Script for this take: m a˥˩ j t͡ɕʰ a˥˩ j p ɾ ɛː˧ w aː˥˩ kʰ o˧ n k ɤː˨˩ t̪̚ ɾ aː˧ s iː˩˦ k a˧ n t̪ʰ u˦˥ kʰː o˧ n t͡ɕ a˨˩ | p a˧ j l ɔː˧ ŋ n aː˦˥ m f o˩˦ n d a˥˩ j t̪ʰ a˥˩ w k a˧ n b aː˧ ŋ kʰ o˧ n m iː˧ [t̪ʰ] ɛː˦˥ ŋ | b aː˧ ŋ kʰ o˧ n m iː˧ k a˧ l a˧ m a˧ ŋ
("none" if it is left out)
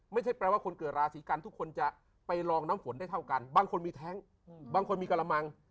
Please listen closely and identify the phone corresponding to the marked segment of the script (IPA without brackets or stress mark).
t̪ʰ